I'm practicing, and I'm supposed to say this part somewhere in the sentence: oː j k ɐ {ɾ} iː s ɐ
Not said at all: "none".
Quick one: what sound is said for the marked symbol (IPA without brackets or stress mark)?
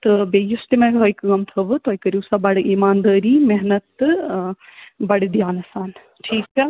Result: ɾ